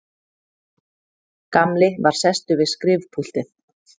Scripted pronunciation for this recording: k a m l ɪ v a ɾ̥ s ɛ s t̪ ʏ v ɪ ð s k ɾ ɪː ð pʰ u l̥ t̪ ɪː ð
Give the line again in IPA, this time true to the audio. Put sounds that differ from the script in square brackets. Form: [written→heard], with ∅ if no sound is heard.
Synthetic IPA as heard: k a m l ɪ v a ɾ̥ s ɛ s t̪ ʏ v ɪ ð s k ɾ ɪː [ð→v] pʰ u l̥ t̪ [ɪː→ɪ] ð

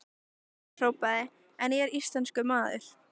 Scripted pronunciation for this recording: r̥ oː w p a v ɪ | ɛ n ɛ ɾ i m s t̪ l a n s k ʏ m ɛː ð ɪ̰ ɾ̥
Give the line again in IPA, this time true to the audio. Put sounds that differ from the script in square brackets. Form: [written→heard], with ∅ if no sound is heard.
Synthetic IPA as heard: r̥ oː w p a [v→ð] ɪ | ɛ n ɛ ɾ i [m→∅] s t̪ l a n s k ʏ m [ɛː→aː] ð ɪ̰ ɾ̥

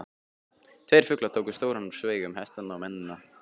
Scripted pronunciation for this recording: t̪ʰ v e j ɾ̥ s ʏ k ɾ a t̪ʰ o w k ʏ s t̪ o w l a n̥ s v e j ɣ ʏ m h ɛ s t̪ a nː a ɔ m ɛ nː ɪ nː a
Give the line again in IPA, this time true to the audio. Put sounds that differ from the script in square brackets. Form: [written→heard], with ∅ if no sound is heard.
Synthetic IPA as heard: t̪ʰ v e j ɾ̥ [s→f] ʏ k [ɾ→l] a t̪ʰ o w k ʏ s t̪ o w [l→ɾ] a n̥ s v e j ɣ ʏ m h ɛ s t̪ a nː a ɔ m ɛ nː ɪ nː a

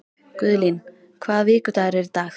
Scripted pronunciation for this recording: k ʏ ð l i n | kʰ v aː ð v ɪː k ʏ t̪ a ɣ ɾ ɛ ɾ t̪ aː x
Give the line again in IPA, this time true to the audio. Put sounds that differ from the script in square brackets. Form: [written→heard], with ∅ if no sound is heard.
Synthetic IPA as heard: k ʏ ð l i n | kʰ v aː ð v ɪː k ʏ t̪ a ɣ ɾ ɛ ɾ t̪ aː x

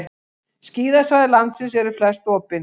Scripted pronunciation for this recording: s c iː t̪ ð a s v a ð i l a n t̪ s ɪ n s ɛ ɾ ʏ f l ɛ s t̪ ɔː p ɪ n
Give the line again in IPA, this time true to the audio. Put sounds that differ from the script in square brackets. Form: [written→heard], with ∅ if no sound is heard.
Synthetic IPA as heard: s c iː [t̪→∅] ð a s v a ð [i→ɪ] l a n t̪ s ɪ n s ɛ ɾ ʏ f l ɛ s t̪ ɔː p ɪ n

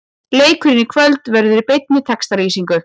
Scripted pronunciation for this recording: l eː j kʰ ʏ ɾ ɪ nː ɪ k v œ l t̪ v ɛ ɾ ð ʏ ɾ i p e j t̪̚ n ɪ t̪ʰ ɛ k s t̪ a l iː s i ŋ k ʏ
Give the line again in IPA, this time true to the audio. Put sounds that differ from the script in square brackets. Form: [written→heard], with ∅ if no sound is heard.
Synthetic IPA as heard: l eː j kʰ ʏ ɾ ɪ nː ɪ [k→kʰ] v œ l t̪ v ɛ ɾ ð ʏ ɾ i p e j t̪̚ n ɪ t̪ʰ ɛ k s t̪ a [l→ɾ] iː s i ŋ k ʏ

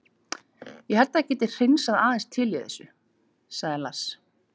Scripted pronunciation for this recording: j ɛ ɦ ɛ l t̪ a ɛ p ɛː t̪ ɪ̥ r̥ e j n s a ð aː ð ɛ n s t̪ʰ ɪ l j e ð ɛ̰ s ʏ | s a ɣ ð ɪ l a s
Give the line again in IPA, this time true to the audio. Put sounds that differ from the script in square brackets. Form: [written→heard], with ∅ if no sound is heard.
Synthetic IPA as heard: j ɛ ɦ ɛ l t̪ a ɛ [p→c] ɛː t̪ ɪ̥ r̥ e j n s a ð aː ð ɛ n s t̪ʰ ɪ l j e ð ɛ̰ s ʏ | s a ɣ ð ɪ l a s

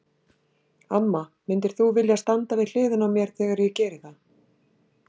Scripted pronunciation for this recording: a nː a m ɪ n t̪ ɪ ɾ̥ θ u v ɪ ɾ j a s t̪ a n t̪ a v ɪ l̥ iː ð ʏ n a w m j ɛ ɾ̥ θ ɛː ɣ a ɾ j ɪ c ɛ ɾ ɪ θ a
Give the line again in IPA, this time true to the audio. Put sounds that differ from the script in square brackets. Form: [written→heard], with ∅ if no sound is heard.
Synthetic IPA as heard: a [nː→mː] a m ɪ n t̪ ɪ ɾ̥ θ u v ɪ [ɾ→l] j a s t̪ a n t̪ a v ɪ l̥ [iː→ɪː] ð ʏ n a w m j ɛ ɾ̥ θ ɛː ɣ a ɾ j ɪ c [ɛ→ɛː] ɾ ɪ θ a

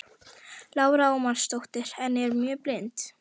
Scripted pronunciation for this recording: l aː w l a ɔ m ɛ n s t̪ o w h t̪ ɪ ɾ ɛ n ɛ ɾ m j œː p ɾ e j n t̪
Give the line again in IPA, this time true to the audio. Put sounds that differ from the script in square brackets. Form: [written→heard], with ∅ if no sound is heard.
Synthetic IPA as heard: l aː w [l→ɾ] a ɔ m [ɛ→a] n s t̪ o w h t̪ ɪ ɾ ɛ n ɛ ɾ m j œː p [ɾ→l] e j n t̪

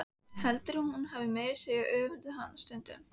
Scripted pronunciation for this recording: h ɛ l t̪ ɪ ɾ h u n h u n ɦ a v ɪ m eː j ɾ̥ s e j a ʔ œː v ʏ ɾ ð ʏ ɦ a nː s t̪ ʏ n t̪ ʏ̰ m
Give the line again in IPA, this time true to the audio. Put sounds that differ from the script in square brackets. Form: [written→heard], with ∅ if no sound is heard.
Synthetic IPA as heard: h ɛ l t̪ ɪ ɾ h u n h u n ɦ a v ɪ m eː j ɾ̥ s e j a ʔ œː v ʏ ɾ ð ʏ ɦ a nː s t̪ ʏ n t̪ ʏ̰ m

